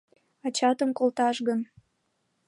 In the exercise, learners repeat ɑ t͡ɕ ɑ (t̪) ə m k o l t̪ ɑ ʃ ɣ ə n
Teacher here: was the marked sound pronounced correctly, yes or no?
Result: yes